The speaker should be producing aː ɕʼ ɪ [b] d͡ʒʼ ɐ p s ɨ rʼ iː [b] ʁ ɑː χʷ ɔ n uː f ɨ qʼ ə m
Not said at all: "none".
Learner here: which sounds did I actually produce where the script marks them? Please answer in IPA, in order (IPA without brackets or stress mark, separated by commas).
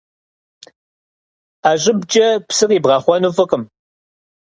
b, b